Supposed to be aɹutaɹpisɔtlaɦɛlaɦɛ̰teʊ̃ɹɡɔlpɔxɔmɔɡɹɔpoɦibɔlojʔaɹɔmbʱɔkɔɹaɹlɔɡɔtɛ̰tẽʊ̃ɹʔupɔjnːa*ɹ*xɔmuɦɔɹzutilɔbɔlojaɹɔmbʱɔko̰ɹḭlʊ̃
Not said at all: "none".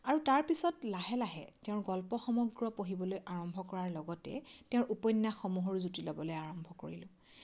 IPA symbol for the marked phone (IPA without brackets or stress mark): none